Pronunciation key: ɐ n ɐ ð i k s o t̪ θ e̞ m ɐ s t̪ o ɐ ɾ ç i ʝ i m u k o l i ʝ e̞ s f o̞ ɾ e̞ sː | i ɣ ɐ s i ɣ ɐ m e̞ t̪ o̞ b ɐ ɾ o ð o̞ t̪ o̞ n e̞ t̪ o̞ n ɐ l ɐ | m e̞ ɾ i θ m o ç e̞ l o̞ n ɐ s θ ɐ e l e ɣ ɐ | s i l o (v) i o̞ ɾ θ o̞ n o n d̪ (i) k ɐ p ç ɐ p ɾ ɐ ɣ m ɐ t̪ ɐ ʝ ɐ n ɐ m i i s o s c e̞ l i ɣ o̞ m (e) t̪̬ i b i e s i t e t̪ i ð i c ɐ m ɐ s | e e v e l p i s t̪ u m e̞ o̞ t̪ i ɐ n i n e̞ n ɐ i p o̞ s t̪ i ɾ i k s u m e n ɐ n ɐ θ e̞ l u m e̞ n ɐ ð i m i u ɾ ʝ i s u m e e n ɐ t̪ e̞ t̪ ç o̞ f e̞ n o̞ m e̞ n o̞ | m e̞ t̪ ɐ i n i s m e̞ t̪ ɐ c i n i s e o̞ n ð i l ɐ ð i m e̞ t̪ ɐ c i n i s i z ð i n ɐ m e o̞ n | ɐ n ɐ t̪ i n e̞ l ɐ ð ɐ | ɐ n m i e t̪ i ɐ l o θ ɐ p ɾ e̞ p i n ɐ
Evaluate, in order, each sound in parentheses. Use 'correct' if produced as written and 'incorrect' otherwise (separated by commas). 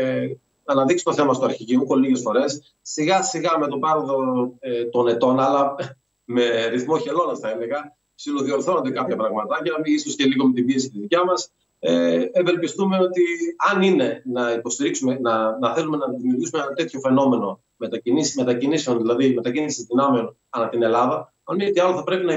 incorrect, incorrect, correct